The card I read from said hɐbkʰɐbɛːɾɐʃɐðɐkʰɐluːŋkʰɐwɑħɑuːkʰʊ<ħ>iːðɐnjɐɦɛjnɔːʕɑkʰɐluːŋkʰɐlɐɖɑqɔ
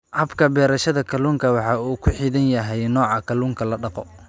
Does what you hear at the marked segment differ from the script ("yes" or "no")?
no